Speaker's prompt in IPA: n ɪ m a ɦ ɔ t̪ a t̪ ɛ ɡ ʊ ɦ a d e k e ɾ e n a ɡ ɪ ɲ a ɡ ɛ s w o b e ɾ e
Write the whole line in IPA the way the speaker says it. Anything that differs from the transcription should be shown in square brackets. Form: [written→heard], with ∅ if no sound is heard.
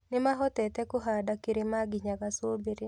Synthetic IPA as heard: n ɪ m a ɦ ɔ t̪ [a→ɛ] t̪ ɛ [ɡ→k] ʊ ɦ a d [e→a] k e ɾ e [n→m] a ɡ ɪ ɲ a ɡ [ɛ→a] s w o b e ɾ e